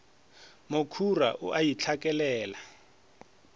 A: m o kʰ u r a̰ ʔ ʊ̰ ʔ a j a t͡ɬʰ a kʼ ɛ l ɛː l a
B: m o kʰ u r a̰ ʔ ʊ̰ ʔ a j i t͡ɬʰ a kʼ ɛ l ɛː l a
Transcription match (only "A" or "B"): B